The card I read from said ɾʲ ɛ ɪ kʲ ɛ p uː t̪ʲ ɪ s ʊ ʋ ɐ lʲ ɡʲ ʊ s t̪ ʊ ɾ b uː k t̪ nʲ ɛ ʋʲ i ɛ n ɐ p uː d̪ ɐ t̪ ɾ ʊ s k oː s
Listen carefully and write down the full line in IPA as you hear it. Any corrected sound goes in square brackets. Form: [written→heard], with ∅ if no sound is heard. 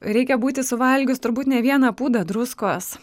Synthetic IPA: ɾʲ ɛ ɪ kʲ ɛ [p→b] uː t̪ʲ ɪ s ʊ ʋ ɐ lʲ ɡʲ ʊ s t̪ ʊ ɾ b uː [k→∅] t̪ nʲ ɛ ʋʲ i ɛ n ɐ p uː d̪ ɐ [t̪→d̪] ɾ ʊ s k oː s